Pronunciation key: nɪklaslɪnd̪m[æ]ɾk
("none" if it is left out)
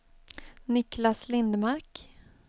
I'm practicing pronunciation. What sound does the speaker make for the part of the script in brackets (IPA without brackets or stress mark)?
a